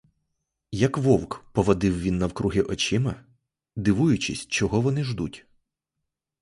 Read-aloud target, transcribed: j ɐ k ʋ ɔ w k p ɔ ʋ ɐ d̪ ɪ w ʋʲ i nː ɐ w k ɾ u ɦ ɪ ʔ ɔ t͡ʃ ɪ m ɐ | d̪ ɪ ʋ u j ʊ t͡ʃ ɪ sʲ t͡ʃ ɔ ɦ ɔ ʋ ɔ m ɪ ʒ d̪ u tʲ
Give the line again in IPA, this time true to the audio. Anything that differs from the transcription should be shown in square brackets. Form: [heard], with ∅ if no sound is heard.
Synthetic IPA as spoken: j ɐ k ʋ ɔ w k p ɔ ʋ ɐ d̪ ɪ w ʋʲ i nː ɐ w k ɾ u ɦ ɪ ʔ ɔ t͡ʃ ɪ m ɐ | d̪ ɪ ʋ u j ʊ t͡ʃ ɪ sʲ t͡ʃ ɔ ɦ ɔ ʋ ɔ [n] ɪ ʒ d̪ u tʲ